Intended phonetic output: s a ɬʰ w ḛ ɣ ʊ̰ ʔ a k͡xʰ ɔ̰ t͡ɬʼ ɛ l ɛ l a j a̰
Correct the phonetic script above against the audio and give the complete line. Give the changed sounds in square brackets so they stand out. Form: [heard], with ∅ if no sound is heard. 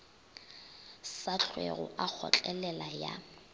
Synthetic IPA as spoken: s a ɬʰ w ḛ ɣ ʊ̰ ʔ a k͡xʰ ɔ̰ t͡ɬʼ ɛ l ɛ l a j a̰